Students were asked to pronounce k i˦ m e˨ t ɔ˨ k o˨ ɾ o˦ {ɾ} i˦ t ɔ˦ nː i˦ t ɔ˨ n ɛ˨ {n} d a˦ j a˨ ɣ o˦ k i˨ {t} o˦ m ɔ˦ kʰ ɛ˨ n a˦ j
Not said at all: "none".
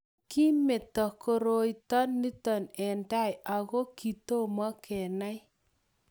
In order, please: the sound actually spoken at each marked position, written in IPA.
none, n, t

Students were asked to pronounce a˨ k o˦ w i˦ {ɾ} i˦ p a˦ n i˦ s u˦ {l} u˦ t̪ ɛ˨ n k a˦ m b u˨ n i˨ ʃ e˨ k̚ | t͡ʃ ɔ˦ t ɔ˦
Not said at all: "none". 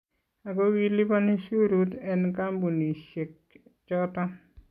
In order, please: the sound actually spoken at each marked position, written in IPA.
l, ɾ

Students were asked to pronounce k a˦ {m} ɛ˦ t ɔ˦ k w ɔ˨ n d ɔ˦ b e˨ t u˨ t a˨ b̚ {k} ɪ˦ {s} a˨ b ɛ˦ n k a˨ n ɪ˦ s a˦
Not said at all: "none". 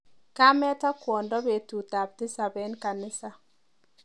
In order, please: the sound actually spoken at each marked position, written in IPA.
m, t, s

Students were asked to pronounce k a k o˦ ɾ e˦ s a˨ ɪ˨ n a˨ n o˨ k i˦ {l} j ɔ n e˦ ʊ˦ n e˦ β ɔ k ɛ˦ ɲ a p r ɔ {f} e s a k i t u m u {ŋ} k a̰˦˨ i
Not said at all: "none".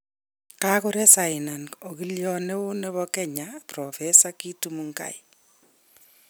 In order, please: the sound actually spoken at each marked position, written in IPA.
l, f, ŋ

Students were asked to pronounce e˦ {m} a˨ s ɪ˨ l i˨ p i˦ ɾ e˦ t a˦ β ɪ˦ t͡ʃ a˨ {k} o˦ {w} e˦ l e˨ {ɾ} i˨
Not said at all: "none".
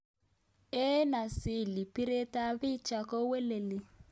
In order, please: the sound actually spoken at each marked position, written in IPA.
n, k, w, l

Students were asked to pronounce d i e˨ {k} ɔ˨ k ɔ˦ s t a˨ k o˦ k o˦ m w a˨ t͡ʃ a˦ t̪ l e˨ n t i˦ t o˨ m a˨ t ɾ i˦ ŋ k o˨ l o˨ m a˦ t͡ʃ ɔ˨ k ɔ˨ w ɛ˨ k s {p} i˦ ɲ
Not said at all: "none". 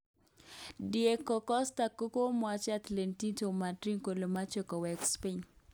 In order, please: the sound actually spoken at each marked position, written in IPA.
k, p

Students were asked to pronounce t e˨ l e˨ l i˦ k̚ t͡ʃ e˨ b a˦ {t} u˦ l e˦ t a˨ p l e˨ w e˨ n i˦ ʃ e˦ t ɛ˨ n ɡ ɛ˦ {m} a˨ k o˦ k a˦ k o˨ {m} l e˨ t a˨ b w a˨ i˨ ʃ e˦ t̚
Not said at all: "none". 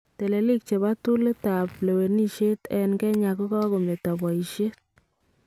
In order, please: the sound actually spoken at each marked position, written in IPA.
t, ɲ, m

